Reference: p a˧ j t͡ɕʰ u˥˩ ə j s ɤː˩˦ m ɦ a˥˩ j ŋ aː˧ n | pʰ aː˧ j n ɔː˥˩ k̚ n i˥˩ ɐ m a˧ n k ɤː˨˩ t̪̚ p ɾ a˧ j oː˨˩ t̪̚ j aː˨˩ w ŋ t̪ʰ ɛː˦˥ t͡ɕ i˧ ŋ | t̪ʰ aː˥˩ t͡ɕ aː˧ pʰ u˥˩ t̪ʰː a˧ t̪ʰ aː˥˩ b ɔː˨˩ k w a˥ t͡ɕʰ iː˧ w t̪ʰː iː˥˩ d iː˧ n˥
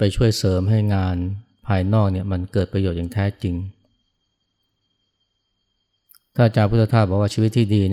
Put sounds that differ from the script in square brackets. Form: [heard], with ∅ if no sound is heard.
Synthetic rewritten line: p a˧ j t͡ɕʰ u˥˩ ə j s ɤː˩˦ m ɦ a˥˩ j ŋ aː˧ n | pʰ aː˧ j n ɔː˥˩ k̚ n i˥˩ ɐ m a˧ n k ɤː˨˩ t̪̚ p ɾ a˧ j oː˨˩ t̪̚ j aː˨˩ [∅] ŋ t̪ʰ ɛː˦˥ t͡ɕ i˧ ŋ | t̪ʰ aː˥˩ t͡ɕ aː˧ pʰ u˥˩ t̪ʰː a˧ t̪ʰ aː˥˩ b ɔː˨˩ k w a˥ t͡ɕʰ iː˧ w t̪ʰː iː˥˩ d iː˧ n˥